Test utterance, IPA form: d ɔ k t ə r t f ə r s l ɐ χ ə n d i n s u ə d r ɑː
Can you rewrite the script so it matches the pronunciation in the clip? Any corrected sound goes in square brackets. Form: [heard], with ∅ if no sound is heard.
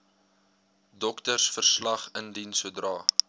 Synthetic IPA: d ɔ k t ə r [s] f ə r s l ɐ χ ə n d i n s u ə d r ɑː

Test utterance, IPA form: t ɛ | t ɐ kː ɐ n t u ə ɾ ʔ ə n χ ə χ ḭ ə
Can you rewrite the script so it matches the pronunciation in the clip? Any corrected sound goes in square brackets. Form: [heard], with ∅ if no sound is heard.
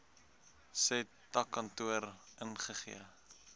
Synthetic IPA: [s] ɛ | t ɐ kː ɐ n t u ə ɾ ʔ ə n χ ə χ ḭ ə

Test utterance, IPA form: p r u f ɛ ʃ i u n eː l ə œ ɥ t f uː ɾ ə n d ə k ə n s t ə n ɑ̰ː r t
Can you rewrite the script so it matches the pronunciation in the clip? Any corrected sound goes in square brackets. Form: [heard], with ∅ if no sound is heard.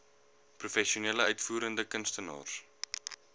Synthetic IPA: p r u f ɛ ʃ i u n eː l ə œ ɥ t f uː ɾ ə n d ə k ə n s t ə n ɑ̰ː r [s]

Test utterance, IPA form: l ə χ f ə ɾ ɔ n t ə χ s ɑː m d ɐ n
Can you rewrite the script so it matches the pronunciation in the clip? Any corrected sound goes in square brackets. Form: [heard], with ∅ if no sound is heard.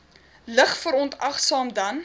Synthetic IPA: l ə χ f ə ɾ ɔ n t [ɐ] χ s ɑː m d ɐ n

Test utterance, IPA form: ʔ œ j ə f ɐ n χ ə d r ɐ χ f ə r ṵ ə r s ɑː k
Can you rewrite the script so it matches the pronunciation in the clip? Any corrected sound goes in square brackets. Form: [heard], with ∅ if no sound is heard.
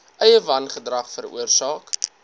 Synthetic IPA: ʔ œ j ə [v] ɐ n χ ə d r ɐ χ f ə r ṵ ə r s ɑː k

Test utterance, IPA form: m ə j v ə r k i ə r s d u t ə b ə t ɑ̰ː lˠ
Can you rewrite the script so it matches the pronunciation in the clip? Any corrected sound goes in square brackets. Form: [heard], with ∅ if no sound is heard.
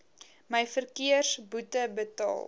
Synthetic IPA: m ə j [f] ə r k i ə r s [b] u t ə b ə t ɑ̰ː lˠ

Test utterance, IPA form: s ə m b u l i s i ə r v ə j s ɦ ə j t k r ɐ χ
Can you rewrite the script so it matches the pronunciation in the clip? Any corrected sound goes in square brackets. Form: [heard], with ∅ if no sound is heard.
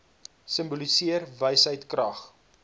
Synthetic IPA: s ə m b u l i s i ə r v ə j s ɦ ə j t k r ɐ χ

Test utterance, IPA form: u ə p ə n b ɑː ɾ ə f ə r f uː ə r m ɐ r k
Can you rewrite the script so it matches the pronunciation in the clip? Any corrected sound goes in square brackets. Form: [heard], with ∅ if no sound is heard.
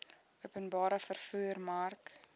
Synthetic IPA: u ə p ə n b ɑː ɾ ə f ə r f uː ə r m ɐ r k

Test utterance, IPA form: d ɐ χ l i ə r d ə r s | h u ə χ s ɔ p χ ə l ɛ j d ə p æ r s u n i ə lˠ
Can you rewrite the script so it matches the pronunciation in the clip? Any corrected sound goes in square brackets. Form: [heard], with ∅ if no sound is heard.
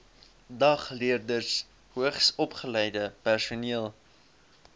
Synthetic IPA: d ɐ χ l i ə r d ə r s | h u ə χ s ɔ p χ ə l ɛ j d ə p æ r s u n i ə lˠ

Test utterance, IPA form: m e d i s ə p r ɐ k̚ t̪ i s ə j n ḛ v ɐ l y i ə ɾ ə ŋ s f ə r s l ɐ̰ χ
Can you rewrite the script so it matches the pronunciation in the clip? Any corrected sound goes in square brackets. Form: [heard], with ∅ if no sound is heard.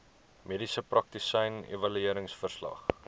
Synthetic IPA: m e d i s ə p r ɐ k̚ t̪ i s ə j n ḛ v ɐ l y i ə ɾ ə ŋ s f ə r s l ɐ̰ χ

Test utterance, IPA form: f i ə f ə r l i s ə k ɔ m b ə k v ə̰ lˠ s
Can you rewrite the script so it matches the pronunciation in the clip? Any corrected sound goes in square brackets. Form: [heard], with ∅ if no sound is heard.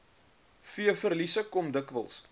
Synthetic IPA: f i ə f ə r l i s ə k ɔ m [d] ə k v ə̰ lˠ s

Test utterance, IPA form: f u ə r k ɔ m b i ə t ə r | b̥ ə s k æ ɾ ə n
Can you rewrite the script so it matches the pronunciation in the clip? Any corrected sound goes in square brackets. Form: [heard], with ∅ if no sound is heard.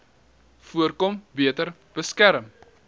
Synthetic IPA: f u ə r k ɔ m b i ə t ə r | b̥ ə s k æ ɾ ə [m]

